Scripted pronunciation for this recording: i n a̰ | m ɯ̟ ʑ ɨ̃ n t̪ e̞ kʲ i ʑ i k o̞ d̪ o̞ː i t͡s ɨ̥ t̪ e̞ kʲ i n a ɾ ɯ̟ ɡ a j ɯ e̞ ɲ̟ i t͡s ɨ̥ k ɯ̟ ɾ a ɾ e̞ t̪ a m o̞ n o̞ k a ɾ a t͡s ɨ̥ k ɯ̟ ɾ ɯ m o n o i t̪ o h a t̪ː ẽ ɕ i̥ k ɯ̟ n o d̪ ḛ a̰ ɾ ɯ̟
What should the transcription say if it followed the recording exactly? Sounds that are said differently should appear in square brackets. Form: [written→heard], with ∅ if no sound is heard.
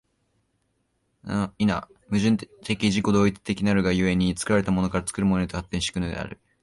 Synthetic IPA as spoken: i n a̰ | m ɯ̟ ʑ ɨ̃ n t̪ e̞ kʲ i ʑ i k o̞ d̪ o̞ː i t͡s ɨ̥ t̪ e̞ kʲ i n a ɾ ɯ̟ ɡ a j ɯ e̞ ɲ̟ i t͡s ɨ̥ k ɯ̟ ɾ a ɾ e̞ t̪ a m o̞ n o̞ k a ɾ a t͡s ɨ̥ k ɯ̟ ɾ ɯ m o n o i t̪ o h a t̪ː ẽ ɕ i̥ k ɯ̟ n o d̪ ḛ a̰ ɾ ɯ̟